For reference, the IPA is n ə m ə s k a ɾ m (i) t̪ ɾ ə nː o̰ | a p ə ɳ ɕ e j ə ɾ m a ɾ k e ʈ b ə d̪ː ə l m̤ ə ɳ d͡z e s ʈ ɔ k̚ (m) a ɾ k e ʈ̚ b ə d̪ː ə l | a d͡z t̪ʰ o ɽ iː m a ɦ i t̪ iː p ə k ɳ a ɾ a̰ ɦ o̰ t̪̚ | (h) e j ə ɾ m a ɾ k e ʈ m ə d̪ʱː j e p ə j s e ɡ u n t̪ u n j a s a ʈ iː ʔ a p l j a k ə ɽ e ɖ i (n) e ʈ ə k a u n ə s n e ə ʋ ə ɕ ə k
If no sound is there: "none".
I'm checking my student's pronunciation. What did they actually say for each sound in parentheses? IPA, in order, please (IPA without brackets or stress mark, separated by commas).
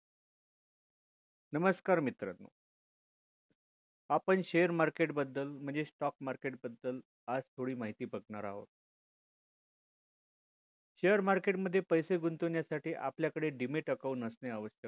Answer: i, m, ɕ, m